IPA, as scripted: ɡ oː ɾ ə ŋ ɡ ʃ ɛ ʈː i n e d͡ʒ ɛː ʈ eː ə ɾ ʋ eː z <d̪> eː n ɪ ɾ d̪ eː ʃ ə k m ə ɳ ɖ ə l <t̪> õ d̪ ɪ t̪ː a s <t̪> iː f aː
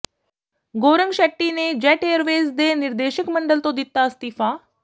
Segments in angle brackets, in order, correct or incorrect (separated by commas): correct, correct, correct